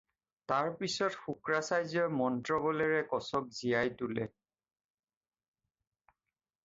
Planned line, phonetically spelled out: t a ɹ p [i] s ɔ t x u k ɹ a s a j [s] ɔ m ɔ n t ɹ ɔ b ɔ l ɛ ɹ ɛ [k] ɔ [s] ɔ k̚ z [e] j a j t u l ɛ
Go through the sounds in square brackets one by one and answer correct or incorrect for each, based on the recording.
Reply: correct, incorrect, correct, correct, incorrect

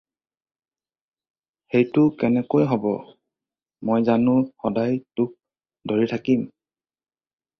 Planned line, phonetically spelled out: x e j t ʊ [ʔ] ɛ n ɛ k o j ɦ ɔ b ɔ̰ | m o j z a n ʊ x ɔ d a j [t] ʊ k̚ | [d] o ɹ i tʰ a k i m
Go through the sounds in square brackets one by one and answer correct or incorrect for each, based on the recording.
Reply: incorrect, correct, correct

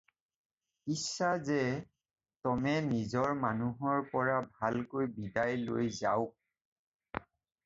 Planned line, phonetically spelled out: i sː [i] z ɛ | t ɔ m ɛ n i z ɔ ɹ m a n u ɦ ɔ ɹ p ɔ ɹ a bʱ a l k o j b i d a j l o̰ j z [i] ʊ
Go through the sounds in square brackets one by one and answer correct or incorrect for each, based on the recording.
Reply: incorrect, incorrect

